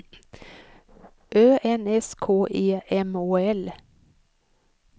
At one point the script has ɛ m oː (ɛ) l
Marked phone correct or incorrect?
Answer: correct